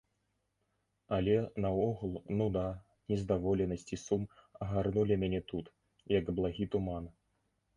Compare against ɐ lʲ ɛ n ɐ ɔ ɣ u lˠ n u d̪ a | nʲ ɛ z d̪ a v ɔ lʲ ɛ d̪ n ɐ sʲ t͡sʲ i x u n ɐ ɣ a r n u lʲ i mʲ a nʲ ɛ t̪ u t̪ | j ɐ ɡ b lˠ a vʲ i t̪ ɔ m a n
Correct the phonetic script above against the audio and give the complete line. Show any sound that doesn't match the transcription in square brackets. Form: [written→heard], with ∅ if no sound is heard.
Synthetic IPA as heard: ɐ lʲ ɛ n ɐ ɔ ɣ u lˠ n u d̪ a | nʲ ɛ z d̪ a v ɔ lʲ ɛ [d̪→∅] n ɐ sʲ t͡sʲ i [x→s] u [n→m] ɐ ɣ a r n u lʲ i mʲ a nʲ ɛ t̪ u t̪ | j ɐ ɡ b lˠ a [vʲ→ɣʲ] i t̪ [ɔ→u] m a n